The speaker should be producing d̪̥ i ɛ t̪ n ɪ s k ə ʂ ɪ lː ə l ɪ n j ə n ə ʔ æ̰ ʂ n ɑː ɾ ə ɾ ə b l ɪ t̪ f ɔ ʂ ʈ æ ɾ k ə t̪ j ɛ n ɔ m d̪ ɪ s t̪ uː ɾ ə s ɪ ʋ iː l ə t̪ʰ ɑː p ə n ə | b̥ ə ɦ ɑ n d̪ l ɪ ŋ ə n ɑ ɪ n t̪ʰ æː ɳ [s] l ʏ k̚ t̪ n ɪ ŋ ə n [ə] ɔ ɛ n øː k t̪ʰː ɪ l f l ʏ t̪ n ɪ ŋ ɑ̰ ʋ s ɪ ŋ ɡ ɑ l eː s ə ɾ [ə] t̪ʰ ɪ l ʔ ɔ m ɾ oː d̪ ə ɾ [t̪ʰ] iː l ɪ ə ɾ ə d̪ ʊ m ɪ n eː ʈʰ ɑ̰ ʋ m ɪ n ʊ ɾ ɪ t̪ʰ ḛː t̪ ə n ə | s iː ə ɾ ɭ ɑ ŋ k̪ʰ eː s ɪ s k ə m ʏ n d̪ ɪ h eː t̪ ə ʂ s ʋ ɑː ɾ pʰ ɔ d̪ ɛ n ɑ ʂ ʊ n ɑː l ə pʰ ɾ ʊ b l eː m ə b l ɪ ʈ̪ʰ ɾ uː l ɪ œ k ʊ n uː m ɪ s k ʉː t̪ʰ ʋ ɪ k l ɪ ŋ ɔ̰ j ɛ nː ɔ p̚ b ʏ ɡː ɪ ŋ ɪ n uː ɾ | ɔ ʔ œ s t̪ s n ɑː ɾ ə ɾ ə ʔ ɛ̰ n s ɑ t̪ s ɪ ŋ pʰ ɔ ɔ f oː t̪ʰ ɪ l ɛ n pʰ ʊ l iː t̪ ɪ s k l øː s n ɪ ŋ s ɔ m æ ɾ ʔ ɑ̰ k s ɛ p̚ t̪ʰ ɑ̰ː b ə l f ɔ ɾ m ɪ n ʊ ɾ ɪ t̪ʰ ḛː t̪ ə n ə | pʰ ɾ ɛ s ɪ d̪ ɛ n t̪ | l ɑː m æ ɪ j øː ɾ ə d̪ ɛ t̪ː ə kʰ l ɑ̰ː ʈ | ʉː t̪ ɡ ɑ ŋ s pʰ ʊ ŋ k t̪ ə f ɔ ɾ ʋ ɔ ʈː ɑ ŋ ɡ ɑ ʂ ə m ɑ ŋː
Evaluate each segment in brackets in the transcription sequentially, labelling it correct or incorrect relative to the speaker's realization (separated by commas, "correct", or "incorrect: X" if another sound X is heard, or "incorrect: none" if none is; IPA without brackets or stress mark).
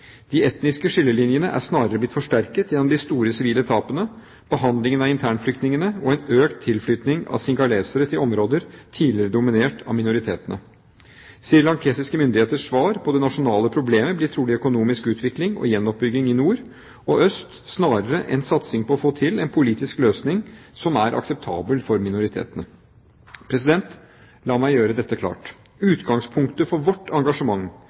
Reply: incorrect: f, correct, correct, correct